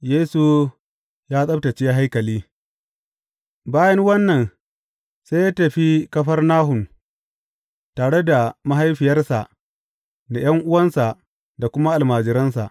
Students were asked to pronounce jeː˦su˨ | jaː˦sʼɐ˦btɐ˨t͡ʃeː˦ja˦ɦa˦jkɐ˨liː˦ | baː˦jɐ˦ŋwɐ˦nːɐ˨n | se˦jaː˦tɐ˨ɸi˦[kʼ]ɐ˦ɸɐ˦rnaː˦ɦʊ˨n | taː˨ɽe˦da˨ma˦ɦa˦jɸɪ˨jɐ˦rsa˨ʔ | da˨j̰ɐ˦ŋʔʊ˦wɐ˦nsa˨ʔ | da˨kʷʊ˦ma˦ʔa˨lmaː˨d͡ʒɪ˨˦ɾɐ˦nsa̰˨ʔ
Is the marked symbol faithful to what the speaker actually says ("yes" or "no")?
no